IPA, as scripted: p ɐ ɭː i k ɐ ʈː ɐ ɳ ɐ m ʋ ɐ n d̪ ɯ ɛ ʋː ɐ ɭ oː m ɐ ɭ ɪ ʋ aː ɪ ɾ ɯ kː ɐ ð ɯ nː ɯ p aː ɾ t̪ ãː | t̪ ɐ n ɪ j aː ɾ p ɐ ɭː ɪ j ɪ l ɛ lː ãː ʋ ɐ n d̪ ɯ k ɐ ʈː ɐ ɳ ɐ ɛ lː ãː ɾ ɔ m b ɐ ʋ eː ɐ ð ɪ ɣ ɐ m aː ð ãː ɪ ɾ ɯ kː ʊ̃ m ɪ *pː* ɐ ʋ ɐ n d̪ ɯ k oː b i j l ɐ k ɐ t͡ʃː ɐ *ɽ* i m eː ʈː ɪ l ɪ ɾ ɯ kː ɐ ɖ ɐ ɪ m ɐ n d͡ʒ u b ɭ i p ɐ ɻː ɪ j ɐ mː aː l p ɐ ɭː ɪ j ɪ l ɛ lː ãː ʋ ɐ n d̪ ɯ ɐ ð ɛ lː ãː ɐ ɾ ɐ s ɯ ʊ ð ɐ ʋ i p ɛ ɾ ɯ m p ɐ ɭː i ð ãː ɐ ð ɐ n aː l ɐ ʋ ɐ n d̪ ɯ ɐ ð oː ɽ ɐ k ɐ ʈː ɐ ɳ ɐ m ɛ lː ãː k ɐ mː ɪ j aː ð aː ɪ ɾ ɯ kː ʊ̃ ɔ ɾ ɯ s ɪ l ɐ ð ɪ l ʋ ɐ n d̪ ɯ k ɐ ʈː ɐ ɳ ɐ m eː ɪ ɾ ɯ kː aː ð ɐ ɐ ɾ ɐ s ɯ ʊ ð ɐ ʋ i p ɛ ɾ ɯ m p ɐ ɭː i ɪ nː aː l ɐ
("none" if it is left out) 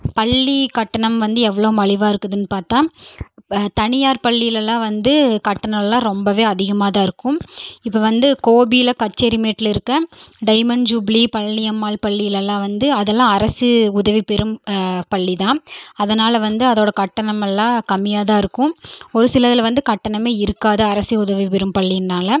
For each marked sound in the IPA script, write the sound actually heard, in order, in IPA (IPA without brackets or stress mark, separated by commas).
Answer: pː, ɾ